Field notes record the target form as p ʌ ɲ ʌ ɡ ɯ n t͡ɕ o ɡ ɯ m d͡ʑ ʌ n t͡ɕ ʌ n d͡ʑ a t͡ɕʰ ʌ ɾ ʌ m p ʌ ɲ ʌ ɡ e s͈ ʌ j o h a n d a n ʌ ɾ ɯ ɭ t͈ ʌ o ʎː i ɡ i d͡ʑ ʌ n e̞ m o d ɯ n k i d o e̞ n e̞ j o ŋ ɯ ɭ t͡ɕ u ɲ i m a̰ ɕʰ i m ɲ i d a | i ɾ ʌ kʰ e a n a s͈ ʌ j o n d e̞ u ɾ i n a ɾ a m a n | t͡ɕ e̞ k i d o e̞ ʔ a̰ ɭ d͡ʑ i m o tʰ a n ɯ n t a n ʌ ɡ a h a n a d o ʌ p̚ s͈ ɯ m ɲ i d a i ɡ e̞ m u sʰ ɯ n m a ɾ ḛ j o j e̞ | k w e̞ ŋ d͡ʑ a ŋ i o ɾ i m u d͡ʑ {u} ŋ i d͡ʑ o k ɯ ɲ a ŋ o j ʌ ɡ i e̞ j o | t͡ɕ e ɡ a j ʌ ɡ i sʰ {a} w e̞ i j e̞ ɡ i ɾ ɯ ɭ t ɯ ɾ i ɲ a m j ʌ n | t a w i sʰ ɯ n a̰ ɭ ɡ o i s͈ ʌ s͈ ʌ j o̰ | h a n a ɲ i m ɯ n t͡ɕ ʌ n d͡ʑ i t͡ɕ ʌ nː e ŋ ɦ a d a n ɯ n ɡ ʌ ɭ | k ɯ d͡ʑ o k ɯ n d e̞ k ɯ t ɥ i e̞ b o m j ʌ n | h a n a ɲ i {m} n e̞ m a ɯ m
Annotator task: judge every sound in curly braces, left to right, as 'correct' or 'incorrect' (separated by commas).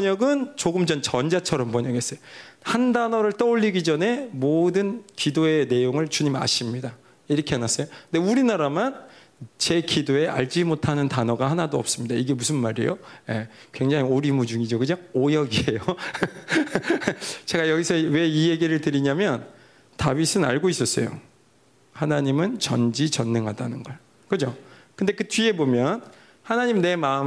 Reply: correct, incorrect, correct